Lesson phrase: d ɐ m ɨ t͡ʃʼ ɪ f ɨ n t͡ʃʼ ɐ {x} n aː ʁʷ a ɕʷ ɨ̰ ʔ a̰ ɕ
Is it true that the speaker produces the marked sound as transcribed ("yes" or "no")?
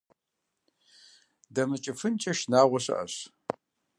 no